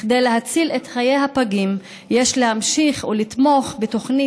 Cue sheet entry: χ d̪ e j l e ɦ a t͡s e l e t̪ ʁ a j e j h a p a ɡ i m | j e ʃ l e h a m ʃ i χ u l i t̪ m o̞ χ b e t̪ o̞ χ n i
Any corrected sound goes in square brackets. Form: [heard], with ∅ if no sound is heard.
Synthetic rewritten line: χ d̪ e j l e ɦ a t͡s [i] l e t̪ [χ] a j e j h a p a ɡ i m | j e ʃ l e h a m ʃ i χ u l i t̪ m o̞ χ b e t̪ o̞ χ n i